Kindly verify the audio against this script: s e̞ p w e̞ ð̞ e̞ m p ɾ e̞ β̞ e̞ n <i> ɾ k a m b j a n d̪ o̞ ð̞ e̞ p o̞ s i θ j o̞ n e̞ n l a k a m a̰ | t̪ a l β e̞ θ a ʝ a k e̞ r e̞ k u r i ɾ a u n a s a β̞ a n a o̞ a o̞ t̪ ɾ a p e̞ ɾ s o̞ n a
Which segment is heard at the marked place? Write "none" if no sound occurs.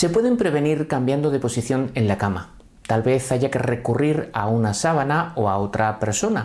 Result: i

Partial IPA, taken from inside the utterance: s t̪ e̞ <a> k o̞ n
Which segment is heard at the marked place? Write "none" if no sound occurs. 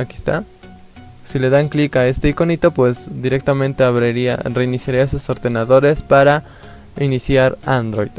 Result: i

